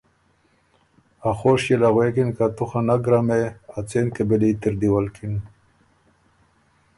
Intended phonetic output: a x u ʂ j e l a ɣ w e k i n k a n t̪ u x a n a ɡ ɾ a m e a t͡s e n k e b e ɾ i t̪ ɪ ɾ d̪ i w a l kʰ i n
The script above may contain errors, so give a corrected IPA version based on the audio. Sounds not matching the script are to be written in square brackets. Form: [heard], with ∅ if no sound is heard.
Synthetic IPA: a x [o] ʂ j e l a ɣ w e k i n k a [∅] t̪ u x a n a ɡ ɾ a m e a t͡s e n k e b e [l] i t̪ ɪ ɾ d̪ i w a l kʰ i n